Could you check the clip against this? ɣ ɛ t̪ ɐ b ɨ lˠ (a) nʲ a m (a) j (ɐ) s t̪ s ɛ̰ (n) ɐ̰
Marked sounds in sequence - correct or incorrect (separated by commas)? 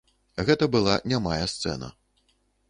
correct, correct, correct, correct